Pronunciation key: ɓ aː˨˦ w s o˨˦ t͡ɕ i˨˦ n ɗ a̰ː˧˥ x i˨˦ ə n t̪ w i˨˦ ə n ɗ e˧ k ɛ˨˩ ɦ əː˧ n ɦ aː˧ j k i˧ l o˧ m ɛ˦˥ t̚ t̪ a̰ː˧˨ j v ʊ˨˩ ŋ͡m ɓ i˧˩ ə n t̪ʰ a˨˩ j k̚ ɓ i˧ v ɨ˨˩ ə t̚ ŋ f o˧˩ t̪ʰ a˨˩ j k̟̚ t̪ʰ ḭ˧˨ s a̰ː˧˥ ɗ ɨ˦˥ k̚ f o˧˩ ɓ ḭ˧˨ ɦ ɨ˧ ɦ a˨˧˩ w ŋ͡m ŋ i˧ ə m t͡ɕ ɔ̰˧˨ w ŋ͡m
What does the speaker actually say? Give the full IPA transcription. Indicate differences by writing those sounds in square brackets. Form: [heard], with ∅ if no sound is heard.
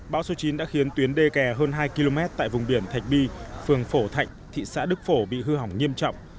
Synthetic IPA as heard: ɓ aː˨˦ w s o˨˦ t͡ɕ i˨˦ n ɗ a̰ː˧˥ x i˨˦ ə n t̪ w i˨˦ ə n ɗ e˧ k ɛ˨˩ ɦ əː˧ n ɦ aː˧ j k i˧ l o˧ m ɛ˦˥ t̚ t̪ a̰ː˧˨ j v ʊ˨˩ ŋ͡m ɓ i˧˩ ə n t̪ʰ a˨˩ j k̚ ɓ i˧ [f] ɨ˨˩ ə [∅] ŋ f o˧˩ t̪ʰ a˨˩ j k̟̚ t̪ʰ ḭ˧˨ s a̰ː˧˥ ɗ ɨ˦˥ k̚ f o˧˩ ɓ ḭ˧˨ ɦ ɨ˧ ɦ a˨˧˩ w ŋ͡m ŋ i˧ ə m t͡ɕ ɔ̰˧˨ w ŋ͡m